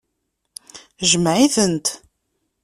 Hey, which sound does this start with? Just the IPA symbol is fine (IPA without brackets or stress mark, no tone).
ʒ